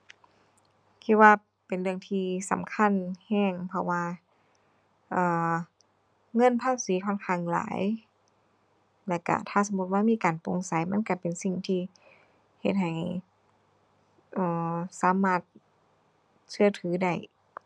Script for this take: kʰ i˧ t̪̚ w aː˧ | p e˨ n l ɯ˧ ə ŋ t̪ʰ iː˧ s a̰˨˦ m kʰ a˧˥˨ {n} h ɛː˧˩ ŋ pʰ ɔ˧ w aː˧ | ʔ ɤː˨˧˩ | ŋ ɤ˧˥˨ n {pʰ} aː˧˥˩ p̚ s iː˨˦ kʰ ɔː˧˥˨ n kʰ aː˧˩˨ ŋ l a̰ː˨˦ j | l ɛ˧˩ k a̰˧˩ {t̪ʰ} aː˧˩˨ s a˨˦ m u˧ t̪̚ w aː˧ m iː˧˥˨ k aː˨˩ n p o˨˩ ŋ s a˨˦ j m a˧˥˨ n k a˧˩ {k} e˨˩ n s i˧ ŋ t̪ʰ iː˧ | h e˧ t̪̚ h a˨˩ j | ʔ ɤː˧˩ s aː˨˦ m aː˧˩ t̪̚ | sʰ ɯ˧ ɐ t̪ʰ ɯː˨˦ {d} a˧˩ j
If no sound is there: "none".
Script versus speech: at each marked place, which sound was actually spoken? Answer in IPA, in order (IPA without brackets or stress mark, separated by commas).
n, pʰ, t̪ʰ, p, d